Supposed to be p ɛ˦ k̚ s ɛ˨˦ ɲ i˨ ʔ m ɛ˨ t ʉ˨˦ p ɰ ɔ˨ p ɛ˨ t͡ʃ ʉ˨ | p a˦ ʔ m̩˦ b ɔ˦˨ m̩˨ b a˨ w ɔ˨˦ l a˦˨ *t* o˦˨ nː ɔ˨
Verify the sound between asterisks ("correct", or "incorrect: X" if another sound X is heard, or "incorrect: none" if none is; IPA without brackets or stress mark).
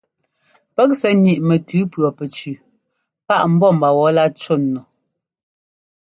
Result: incorrect: t͡ʃ